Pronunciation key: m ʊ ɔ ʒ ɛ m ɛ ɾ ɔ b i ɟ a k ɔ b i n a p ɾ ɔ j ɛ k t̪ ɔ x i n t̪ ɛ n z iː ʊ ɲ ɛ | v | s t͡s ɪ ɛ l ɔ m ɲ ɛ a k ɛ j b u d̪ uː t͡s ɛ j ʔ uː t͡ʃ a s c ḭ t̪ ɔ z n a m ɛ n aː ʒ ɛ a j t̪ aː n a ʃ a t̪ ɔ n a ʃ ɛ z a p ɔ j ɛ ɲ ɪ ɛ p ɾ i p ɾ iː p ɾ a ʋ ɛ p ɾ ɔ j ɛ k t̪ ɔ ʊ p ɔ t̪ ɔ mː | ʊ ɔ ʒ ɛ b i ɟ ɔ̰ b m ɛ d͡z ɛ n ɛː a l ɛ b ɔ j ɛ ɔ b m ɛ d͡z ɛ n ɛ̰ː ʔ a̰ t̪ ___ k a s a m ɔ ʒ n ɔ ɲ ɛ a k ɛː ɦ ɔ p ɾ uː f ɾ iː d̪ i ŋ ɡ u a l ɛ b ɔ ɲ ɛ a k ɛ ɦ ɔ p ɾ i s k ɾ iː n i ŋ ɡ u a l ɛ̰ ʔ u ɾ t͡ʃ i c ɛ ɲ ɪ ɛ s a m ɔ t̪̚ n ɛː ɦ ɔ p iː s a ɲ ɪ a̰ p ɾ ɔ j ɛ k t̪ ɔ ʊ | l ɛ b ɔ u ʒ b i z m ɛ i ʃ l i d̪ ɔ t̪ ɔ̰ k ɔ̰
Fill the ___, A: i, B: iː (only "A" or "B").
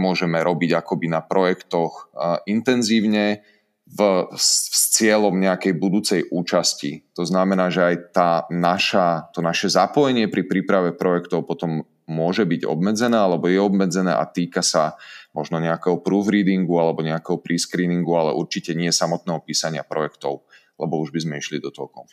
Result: B